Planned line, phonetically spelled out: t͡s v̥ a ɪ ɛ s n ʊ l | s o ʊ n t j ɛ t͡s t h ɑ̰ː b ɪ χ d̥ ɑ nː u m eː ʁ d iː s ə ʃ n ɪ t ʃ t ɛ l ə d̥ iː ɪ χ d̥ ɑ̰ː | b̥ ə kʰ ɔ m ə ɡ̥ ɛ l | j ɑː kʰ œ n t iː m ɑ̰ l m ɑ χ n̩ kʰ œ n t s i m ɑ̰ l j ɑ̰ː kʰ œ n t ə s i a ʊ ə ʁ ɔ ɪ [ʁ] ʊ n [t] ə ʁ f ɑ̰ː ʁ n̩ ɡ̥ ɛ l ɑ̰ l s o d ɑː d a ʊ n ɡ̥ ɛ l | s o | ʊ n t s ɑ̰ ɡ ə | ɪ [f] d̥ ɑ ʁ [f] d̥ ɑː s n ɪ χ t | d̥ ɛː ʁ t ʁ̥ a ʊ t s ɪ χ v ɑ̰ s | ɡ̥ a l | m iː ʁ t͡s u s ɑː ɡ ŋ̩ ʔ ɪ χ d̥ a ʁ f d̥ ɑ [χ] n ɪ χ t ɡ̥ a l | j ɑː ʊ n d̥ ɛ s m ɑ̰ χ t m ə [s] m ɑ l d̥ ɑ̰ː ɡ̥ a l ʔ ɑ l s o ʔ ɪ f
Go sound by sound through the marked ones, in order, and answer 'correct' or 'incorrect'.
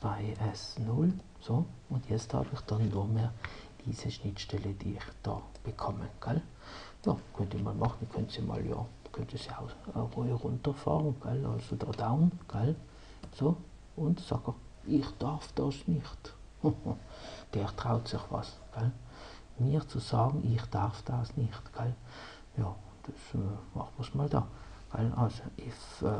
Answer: correct, correct, incorrect, correct, incorrect, correct

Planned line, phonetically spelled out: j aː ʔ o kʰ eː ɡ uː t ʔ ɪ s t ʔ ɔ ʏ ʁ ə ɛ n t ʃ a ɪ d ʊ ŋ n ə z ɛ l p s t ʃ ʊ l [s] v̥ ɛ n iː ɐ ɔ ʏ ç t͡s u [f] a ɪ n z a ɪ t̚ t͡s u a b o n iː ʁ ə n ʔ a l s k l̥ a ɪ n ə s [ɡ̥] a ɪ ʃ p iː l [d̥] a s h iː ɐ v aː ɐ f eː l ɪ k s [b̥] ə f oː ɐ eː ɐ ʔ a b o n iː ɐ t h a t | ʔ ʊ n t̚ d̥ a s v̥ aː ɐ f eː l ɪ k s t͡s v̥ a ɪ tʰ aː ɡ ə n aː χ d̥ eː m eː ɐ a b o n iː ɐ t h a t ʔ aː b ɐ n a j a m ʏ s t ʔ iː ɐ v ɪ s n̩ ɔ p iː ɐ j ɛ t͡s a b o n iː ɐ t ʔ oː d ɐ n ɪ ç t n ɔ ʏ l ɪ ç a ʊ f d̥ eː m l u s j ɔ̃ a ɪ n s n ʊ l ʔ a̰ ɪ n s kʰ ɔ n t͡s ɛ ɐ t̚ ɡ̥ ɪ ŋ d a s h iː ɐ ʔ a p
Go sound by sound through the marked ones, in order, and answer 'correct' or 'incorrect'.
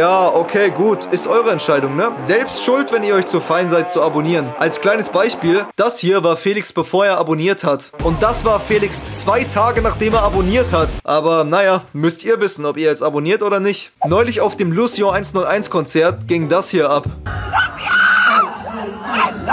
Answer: incorrect, correct, incorrect, correct, correct

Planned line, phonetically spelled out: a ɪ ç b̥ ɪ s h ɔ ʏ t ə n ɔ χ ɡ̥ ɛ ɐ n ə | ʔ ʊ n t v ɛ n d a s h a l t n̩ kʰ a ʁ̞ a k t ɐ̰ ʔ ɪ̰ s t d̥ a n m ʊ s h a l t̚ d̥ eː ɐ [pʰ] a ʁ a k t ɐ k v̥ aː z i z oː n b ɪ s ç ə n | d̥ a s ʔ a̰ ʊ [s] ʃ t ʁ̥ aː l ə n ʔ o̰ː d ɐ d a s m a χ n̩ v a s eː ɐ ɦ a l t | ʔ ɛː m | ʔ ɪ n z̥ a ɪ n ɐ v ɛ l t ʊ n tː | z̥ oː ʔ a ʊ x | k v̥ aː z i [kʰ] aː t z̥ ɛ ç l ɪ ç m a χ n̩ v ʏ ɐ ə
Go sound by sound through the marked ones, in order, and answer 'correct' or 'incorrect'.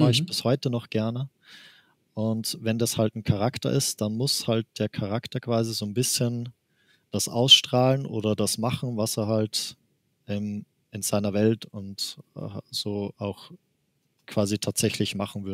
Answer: incorrect, correct, incorrect

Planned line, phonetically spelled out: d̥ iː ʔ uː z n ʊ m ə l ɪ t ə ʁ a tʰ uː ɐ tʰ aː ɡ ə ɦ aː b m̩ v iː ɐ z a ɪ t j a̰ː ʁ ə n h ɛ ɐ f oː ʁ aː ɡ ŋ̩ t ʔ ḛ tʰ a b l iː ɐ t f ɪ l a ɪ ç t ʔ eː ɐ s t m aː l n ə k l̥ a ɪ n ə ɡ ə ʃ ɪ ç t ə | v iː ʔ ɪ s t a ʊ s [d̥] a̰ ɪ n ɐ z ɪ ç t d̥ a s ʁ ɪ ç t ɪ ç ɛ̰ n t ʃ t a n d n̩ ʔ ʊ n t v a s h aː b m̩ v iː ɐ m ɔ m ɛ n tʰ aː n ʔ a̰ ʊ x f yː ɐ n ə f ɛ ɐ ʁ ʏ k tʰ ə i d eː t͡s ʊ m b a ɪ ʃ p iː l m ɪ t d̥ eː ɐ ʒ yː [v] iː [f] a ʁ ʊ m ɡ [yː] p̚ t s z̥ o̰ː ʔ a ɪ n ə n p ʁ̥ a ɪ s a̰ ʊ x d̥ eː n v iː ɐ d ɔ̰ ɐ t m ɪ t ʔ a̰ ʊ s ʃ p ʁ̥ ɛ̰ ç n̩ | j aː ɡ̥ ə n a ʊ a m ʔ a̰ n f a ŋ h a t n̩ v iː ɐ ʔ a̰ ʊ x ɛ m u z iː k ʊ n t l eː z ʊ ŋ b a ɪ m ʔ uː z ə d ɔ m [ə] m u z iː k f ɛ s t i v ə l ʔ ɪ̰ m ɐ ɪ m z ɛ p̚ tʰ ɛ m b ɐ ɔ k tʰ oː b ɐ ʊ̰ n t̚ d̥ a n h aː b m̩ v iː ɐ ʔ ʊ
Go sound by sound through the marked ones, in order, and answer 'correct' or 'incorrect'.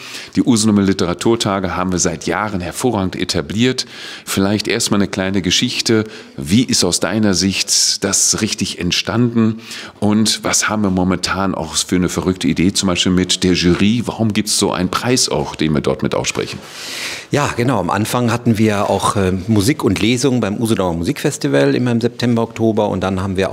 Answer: correct, incorrect, incorrect, incorrect, incorrect

